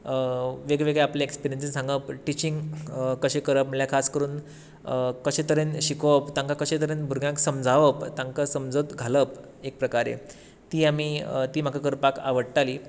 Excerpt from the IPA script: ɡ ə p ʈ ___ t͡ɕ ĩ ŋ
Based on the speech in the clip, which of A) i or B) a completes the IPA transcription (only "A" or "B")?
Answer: A